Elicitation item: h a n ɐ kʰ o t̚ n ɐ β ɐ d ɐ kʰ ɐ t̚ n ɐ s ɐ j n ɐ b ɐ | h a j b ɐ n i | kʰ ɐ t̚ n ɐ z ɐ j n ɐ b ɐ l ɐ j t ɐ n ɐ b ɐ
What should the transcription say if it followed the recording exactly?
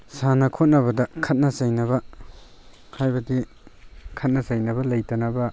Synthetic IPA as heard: s a n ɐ kʰ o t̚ n ɐ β ɐ d ɐ kʰ ɐ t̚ n ɐ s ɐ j n ɐ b ɐ | h a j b ɐ d i | kʰ ɐ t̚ n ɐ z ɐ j n ɐ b ɐ l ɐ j t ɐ n ɐ b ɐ

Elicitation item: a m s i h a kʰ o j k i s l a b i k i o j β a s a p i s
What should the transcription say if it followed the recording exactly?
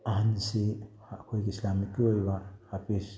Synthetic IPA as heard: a n s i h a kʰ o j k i s l a m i k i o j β a h a p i s

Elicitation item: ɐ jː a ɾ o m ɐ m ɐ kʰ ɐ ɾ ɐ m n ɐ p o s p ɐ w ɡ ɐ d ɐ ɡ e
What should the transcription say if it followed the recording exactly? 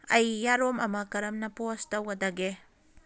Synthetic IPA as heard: ɐ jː a ɾ o m ɐ m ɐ k ɐ ɾ ɐ m n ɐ p o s t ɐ w ɡ ɐ d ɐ ɡ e

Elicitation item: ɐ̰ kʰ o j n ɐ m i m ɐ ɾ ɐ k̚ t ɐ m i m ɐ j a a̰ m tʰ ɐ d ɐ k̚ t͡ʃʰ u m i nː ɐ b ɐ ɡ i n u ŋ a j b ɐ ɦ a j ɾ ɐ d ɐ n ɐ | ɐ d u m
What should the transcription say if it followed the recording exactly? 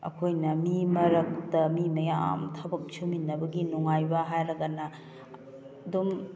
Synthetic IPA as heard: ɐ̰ kʰ o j n ɐ m i m ɐ ɾ ɐ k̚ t ɐ m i m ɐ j a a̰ m tʰ ɐ b ɐ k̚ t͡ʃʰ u m i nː ɐ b ɐ ɡ i n u ŋ a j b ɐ ɦ a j ɾ ɐ ɡ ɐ n ɐ | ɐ d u m

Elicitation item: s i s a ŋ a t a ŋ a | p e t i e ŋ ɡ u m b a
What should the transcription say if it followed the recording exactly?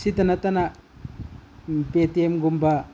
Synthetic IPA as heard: s i t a n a t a n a | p e t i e m ɡ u m b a

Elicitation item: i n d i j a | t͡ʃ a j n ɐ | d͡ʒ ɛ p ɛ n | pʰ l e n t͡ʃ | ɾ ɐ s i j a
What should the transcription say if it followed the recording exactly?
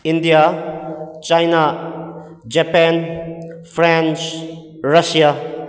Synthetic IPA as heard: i n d i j a | t͡ʃ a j n a | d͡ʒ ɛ p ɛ n | pʰ ɾ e n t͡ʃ | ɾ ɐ s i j a

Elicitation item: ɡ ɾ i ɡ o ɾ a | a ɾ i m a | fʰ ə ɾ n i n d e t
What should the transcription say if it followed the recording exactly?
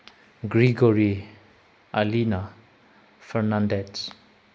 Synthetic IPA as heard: ɡ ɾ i ɡ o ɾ i | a l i n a | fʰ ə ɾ n a n d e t

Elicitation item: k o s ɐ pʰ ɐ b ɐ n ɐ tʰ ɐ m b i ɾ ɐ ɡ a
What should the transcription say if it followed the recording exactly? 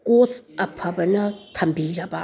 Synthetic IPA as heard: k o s ɐ pʰ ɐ b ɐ n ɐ tʰ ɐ m b i ɾ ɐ b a

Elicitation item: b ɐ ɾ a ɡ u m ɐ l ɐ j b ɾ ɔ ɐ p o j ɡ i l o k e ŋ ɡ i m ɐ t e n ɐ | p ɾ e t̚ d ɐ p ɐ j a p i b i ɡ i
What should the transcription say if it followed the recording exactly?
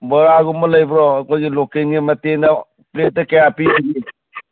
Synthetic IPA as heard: b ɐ ɾ a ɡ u m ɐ l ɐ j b ɾ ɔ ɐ k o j ɡ i l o k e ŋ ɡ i m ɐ t e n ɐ | p l e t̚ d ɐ k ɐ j a p i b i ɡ i

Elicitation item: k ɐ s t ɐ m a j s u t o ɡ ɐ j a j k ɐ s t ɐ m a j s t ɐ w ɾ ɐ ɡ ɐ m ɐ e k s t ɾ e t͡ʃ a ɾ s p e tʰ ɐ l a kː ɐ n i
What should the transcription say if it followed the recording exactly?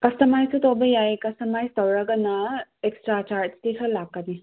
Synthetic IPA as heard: k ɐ s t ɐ m a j s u t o b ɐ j a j k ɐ s t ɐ m a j s t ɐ w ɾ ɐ ɡ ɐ n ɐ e k s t ɾ a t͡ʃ a ɾ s t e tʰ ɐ l a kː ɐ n i

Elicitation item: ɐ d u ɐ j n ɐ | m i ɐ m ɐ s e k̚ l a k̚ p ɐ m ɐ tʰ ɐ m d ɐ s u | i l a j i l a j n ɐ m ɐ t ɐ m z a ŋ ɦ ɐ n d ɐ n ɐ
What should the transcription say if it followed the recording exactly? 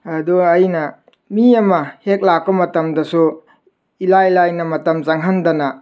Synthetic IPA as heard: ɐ d u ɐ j n ɐ | m i ɐ m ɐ h e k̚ l a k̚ p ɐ m ɐ t ɐ m d ɐ s u | i l a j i l a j n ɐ m ɐ t ɐ m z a ŋ ɦ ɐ n d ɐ n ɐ

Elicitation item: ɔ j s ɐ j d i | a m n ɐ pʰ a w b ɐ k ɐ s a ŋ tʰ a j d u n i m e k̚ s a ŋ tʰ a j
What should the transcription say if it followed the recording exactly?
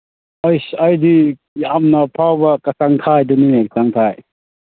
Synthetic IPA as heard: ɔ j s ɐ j d i | a m n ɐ pʰ a w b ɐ k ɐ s a ŋ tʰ a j d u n i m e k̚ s a ŋ tʰ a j

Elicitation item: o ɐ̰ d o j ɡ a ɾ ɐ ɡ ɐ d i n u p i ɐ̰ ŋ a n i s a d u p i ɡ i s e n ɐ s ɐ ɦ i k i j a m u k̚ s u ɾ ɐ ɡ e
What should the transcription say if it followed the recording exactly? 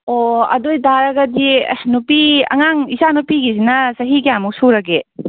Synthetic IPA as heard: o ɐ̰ d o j d a ɾ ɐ ɡ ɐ d i n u p i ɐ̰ ŋ a ŋ i s a n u p i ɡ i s i n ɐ s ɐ ɦ i k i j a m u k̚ s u ɾ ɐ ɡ e

